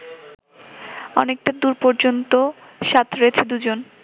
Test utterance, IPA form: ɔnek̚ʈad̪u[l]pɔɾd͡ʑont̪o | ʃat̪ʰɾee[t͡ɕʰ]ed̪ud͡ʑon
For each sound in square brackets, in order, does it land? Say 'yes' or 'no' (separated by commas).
no, yes